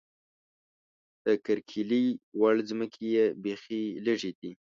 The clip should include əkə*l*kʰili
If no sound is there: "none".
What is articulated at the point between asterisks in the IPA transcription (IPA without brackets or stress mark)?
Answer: ɾ